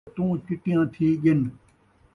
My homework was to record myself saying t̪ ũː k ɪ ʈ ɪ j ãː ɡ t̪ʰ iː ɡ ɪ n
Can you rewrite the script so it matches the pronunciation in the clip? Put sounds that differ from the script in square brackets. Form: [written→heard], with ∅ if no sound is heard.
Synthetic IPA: t̪ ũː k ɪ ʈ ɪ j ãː [ɡ→∅] t̪ʰ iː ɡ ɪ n